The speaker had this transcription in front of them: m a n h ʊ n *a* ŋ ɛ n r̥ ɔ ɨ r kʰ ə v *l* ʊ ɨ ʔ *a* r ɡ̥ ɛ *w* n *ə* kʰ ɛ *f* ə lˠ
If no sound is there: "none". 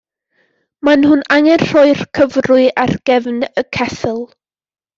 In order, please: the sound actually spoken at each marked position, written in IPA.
a, r, a, v, ə, θ

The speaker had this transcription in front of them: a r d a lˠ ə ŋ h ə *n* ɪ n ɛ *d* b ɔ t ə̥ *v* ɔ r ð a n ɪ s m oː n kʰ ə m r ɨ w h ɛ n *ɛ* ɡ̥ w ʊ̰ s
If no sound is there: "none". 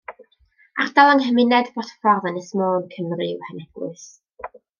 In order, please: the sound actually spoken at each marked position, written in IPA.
m, d, f, ɛ

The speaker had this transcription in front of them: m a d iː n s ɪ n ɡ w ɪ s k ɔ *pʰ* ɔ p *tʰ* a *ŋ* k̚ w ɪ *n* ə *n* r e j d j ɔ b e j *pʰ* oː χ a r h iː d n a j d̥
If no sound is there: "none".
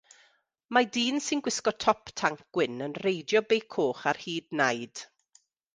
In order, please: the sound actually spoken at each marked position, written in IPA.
tʰ, tʰ, ŋ, n, n, kʰ

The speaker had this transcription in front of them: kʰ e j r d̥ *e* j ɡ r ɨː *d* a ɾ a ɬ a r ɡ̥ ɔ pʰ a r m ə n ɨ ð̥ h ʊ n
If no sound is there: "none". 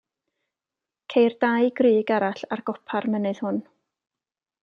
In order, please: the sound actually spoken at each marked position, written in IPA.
a, ɡ

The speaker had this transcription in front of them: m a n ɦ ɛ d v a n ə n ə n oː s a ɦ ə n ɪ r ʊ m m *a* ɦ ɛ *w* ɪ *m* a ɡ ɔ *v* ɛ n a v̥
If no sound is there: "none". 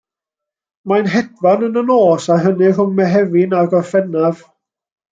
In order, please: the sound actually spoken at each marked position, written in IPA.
ɛ, v, n, f

